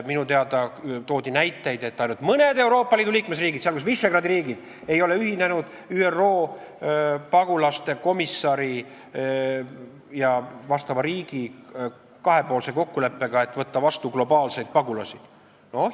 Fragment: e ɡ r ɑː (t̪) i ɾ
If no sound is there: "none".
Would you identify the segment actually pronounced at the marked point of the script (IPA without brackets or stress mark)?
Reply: d̪